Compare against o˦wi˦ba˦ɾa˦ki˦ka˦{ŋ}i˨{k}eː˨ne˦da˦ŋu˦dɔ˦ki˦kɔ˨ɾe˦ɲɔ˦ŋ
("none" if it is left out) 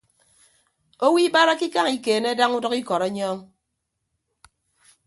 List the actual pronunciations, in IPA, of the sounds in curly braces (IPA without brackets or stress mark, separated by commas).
ŋ, k